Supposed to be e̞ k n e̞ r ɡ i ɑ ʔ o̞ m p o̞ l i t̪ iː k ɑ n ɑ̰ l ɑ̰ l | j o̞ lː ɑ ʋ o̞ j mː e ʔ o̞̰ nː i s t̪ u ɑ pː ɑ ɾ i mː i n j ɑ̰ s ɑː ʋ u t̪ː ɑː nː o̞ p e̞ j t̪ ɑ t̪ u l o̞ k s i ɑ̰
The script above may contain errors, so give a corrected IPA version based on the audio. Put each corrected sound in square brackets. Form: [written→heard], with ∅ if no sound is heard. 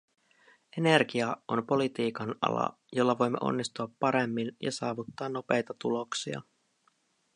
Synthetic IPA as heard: e̞ [k→∅] n e̞ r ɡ i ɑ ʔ o̞ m p o̞ l i t̪ iː k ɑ n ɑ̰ l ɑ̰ [l→∅] | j o̞ lː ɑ ʋ o̞ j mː e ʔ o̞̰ nː i s t̪ u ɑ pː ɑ ɾ [i→e] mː i n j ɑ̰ s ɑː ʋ u t̪ː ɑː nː o̞ p e̞ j t̪ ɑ t̪ u l o̞ k s i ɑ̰

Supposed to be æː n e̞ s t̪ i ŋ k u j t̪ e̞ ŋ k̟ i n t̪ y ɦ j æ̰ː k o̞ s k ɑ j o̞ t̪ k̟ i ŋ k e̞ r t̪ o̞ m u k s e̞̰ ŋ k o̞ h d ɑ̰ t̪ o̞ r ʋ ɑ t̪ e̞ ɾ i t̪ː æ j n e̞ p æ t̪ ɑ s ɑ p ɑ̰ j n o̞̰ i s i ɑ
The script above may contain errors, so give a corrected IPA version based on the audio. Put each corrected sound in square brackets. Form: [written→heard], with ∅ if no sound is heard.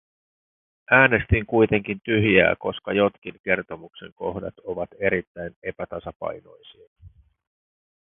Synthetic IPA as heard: æː n e̞ s t̪ i ŋ k u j t̪ e̞ ŋ k̟ i n t̪ y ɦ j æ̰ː k o̞ s k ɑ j o̞ t̪ k̟ i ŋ k e̞ r t̪ o̞ m u k s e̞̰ ŋ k o̞ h d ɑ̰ t̪ o̞ [r→∅] ʋ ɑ t̪ e̞ ɾ i t̪ː æ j n e̞ p æ t̪ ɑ s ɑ p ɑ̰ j n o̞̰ [i→j] s i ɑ

